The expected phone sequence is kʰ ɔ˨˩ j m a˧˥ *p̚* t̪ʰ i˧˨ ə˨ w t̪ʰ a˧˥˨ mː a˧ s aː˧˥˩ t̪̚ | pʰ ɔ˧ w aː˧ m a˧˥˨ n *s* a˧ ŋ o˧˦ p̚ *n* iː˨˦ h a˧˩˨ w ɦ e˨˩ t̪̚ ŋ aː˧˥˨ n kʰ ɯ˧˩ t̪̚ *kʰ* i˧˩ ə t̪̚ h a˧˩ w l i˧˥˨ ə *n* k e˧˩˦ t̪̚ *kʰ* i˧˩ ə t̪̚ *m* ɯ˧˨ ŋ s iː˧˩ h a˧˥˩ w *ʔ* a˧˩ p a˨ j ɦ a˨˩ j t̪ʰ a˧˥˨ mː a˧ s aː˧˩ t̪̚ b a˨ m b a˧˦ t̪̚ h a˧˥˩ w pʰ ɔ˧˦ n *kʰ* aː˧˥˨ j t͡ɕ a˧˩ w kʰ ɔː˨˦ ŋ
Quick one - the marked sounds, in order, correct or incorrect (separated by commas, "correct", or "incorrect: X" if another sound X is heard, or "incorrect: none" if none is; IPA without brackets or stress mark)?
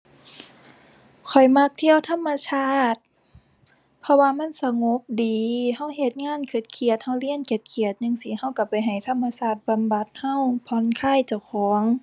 incorrect: k̚, correct, incorrect: d, correct, correct, correct, incorrect: ɲ, incorrect: k, correct